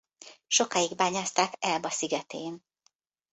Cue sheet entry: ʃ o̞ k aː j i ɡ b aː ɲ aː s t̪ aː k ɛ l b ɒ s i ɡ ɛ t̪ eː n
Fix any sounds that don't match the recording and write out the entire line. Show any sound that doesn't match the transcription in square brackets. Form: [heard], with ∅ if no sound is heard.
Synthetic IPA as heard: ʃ o̞ k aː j i ɡ b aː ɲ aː s t̪ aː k ɛ l b ɒ s i ɡ ɛ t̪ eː n

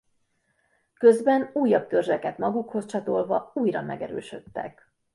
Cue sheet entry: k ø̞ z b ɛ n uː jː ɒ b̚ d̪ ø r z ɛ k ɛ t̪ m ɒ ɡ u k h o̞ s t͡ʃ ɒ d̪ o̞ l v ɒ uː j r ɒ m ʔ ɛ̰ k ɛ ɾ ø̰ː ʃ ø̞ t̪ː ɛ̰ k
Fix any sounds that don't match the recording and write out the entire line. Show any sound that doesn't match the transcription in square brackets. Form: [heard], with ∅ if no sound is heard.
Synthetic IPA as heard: k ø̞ z b ɛ n uː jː ɒ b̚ [t̪] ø r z ɛ k ɛ t̪ m ɒ ɡ u k h o̞ s t͡ʃ ɒ [t̪] o̞ l v ɒ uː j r ɒ m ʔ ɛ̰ [ɡ] ɛ ɾ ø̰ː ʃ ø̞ t̪ː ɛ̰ k

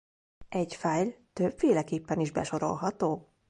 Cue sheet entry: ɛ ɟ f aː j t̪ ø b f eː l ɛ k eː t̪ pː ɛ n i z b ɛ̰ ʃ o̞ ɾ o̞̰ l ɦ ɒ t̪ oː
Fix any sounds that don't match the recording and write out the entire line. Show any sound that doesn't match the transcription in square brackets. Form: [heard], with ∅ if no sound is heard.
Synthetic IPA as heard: ɛ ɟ f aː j t̪ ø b f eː l ɛ k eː [∅] pː ɛ n i [ʒ] b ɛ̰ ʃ o̞ ɾ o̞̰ l ɦ ɒ t̪ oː

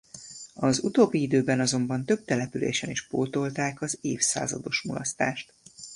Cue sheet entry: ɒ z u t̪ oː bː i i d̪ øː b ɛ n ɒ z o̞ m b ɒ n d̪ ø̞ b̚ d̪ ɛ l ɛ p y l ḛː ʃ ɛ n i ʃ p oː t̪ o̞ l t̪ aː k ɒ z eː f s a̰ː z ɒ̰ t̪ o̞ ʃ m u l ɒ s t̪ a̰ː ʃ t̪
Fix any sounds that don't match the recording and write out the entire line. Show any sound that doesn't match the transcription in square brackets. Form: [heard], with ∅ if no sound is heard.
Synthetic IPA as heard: ɒ z u t̪ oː bː i i d̪ øː b ɛ n ɒ z o̞ m b ɒ n [t̪] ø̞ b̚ [t̪] ɛ l ɛ p y l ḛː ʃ ɛ n i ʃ p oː t̪ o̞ l t̪ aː k ɒ z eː f s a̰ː z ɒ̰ [d̪] o̞ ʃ m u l ɒ s t̪ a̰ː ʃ t̪

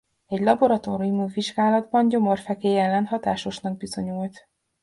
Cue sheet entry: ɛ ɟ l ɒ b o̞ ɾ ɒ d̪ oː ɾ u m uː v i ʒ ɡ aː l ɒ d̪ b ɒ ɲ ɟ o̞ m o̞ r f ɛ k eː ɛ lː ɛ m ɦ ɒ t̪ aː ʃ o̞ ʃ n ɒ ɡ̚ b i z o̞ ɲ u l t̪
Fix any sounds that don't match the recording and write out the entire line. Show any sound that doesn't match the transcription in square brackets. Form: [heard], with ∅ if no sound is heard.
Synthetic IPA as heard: ɛ ɟ l ɒ b o̞ ɾ ɒ [t̪] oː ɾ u m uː v i ʒ ɡ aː l ɒ d̪ b ɒ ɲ ɟ o̞ m o̞ r f ɛ k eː ɛ lː ɛ [n] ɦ ɒ t̪ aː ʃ o̞ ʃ n ɒ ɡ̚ b i z o̞ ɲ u l t̪

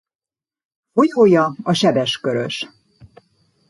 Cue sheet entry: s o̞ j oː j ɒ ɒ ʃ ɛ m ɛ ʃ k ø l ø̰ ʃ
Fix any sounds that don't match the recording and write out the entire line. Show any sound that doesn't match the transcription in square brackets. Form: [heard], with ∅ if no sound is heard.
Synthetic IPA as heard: [f] o̞ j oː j ɒ ɒ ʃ ɛ [b] ɛ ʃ k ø [ɾ] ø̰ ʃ

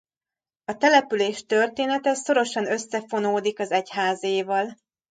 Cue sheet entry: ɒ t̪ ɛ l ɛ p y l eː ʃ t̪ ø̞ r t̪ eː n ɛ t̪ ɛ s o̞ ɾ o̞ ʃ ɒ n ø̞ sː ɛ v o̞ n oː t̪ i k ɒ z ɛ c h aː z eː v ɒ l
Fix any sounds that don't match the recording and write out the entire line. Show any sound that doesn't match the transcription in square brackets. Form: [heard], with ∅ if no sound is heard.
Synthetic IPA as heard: ɒ t̪ ɛ l ɛ p y l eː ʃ t̪ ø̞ r t̪ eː n ɛ t̪ ɛ s o̞ ɾ o̞ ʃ ɒ n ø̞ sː ɛ [f] o̞ n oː [d̪] i k ɒ z ɛ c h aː z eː v ɒ l

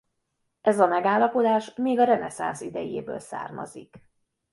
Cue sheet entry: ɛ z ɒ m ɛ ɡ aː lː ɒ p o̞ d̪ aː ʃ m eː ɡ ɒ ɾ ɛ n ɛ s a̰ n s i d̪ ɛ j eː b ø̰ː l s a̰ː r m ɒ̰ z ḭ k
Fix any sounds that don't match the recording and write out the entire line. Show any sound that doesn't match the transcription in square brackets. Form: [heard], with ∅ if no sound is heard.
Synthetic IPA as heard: ɛ z ɒ m ɛ ɡ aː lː ɒ p o̞ d̪ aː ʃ m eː ɡ ɒ ɾ ɛ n ɛ s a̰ n s i d̪ ɛ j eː b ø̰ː l s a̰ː r m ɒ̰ z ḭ k

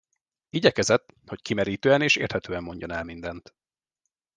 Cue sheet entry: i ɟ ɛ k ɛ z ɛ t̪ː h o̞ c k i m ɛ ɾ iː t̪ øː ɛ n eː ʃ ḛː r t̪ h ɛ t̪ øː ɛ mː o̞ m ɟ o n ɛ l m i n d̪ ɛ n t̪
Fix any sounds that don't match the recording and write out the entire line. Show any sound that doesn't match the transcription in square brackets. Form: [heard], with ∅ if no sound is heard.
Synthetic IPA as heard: i ɟ ɛ k ɛ z ɛ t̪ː h o̞ c k i m ɛ ɾ iː t̪ øː ɛ n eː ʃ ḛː r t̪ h ɛ t̪ øː ɛ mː o̞ [ɲ] ɟ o n ɛ l m i n d̪ ɛ n t̪

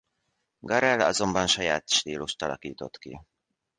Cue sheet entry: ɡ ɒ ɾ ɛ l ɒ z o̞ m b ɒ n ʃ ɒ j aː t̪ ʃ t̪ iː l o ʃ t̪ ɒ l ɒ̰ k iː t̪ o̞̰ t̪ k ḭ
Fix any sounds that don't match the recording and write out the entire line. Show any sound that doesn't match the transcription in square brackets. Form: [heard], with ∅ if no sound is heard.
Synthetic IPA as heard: ɡ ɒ ɾ ɛ l ɒ z o̞ m b ɒ n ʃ ɒ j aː t̪ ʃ t̪ iː l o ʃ t̪ ɒ l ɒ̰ k iː t̪ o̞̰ t̪ k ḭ

